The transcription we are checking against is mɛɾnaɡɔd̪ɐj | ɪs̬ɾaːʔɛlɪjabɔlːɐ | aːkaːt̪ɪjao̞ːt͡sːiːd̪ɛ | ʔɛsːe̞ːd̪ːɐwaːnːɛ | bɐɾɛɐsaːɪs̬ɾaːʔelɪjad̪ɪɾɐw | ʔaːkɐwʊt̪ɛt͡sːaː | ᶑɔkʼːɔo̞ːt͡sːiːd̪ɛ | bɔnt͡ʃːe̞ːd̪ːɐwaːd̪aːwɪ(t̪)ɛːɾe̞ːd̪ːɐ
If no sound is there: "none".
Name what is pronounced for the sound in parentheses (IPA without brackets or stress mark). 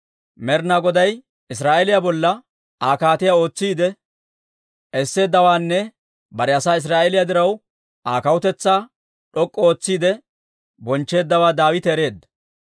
t̪